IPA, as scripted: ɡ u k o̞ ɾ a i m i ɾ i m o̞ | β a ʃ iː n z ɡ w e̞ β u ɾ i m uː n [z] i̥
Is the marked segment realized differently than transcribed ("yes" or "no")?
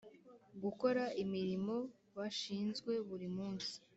yes